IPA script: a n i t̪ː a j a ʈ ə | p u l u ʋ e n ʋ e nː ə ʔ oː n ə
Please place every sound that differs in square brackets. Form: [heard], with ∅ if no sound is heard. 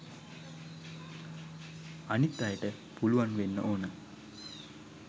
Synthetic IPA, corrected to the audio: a n i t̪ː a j [ə] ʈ ə | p u l u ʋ [a] n ʋ e nː ə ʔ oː n ə